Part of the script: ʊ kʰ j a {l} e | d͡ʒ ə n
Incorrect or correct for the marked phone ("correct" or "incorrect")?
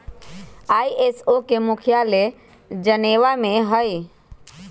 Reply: correct